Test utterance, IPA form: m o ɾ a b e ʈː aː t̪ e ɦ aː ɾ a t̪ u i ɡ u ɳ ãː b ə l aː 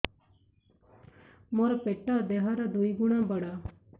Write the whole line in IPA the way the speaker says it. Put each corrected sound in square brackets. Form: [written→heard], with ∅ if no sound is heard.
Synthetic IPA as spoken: m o ɾ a [b→p] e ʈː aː [t̪→d̪] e ɦ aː ɾ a [t̪→d̪] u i ɡ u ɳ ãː b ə [l→ɽ] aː